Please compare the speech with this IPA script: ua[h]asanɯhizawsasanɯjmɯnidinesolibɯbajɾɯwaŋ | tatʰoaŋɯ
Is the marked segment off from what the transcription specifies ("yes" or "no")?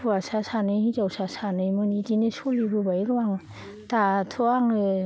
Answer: yes